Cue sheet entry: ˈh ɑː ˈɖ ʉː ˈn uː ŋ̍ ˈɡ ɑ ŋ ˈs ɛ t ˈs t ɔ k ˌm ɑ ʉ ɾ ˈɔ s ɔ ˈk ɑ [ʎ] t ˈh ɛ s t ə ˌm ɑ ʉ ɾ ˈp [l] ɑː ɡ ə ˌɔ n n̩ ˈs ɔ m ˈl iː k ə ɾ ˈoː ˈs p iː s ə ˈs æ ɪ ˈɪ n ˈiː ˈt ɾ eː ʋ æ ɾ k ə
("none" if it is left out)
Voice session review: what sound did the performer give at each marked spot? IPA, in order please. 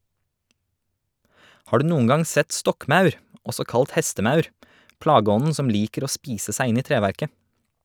l, l

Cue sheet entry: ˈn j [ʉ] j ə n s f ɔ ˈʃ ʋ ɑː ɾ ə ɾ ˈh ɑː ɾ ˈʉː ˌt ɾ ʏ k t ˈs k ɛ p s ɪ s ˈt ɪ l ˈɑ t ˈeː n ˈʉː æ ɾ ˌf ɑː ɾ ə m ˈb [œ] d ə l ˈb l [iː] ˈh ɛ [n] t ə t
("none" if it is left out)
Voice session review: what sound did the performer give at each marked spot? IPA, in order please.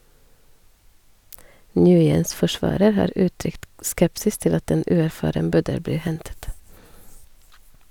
ʉː, œ, iː, n

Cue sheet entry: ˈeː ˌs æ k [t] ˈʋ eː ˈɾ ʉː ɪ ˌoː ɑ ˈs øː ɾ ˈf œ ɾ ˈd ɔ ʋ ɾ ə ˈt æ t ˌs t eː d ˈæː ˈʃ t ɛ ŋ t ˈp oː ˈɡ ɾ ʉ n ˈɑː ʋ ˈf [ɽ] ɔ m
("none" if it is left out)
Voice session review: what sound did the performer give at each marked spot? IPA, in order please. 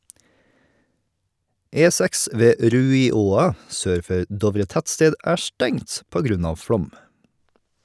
s, ɽ

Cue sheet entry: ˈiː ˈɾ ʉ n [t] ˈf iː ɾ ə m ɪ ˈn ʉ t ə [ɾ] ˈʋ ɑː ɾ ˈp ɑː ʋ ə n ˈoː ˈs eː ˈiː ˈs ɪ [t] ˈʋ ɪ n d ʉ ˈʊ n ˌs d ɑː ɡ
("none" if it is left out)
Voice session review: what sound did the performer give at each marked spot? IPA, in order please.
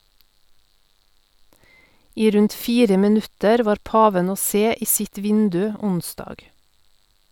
t, ɾ, t

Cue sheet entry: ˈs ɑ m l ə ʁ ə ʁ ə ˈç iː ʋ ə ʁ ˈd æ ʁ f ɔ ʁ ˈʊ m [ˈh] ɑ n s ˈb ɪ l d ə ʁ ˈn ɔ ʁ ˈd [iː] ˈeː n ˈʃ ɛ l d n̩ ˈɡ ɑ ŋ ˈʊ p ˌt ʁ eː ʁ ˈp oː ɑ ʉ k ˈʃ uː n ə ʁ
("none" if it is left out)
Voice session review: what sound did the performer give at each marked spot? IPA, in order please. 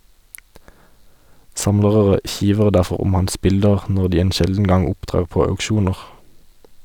h, iː

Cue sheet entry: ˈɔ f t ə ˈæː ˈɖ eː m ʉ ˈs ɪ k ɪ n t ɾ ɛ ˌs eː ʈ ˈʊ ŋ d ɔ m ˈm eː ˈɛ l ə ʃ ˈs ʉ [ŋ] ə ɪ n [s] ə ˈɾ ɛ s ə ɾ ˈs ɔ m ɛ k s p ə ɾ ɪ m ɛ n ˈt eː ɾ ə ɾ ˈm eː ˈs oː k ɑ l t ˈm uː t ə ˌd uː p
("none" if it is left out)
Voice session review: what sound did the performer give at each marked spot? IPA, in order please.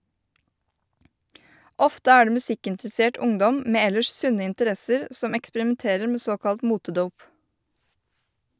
n, t

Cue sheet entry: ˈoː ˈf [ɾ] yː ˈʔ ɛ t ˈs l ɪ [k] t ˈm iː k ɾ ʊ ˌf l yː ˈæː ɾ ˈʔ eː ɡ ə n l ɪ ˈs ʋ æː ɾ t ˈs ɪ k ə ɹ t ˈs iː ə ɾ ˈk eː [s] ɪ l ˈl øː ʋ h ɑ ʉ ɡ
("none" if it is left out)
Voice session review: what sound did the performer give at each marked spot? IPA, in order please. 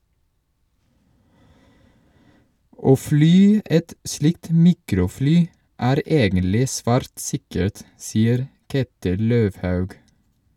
l, k, t

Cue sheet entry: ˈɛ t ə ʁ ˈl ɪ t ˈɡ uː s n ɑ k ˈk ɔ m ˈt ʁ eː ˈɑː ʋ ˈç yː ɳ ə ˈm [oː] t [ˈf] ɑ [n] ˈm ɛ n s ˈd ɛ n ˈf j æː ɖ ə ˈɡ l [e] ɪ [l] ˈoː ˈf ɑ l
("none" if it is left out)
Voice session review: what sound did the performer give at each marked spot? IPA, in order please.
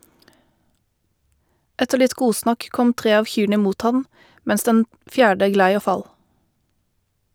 uː, h, n, æ, none

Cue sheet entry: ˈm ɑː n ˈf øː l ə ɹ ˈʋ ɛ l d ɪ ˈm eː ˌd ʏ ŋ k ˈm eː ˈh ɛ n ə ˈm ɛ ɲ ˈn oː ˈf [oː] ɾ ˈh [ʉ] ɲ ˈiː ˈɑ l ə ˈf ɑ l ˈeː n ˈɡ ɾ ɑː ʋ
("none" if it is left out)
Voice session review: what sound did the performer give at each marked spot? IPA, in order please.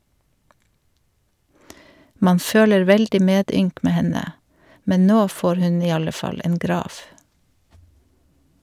oː, ʉ

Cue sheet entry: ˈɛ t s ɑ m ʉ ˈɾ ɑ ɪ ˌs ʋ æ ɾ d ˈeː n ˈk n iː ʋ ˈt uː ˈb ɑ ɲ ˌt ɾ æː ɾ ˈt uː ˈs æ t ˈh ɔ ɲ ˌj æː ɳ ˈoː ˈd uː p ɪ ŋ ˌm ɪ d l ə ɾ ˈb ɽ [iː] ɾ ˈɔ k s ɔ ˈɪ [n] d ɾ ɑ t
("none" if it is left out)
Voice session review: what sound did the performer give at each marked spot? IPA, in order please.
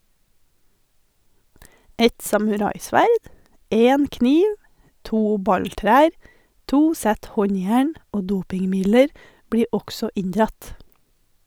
iː, ɲ

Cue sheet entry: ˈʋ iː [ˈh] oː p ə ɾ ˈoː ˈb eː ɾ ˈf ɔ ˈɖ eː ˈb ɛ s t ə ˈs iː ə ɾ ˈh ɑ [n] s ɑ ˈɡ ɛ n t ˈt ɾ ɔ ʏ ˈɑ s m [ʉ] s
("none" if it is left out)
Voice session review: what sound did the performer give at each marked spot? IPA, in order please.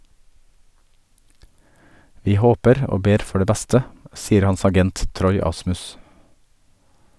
h, n, ʉ

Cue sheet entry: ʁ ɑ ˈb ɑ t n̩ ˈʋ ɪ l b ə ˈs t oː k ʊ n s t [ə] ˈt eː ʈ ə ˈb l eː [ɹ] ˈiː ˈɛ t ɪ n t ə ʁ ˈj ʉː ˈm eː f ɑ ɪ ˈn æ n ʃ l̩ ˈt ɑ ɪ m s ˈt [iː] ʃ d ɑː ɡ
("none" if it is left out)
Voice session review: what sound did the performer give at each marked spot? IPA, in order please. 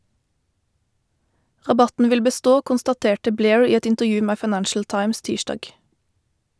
ɑ, ɹ, iː

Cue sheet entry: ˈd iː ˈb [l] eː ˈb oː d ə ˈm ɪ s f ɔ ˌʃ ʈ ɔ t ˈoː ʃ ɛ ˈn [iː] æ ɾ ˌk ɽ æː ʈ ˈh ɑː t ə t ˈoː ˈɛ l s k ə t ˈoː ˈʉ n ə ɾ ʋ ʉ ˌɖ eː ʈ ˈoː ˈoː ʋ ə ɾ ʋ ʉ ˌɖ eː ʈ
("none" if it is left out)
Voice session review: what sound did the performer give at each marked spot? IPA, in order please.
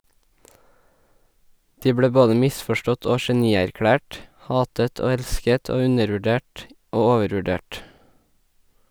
ɽ, iː

